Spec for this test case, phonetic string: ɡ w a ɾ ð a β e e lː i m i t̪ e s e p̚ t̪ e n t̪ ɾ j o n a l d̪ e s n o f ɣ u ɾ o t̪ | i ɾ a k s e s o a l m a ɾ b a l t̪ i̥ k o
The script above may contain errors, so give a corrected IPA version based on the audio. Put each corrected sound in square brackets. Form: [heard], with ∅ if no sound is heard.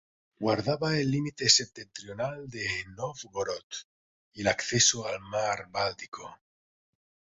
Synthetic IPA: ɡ w a ɾ ð a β [a] e lː i m i t̪ e s e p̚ t̪ e n t̪ ɾ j o n a l d̪ e [∅] n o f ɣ [o] ɾ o t̪ | i [l] a k [θ] e s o a l m a ɾ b a l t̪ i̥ k o